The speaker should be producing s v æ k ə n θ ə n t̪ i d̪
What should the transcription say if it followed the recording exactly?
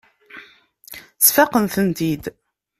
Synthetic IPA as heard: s f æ q ə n θ ə n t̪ i d̪